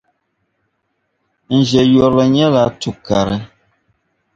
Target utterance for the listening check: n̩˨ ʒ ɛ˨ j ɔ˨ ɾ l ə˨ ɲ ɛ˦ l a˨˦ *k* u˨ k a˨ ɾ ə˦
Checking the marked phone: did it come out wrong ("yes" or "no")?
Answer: yes